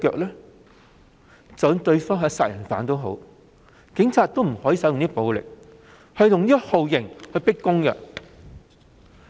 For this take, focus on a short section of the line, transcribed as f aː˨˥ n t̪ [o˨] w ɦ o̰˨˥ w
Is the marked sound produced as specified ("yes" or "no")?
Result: no